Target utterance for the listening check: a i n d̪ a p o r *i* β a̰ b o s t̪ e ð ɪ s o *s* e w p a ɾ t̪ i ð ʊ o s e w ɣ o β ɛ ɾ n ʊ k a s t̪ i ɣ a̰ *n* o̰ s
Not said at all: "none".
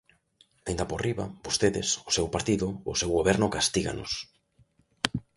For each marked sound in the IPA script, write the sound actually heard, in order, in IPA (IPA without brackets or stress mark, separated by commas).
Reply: i, s, n